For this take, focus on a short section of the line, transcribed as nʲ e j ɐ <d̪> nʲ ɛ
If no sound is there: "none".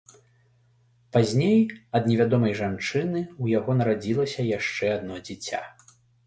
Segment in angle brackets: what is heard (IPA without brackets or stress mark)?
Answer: d̪